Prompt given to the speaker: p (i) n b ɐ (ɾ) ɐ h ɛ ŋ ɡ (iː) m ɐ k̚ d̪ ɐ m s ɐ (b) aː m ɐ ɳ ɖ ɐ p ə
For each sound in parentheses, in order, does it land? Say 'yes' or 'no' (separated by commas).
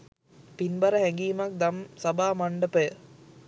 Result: yes, yes, yes, yes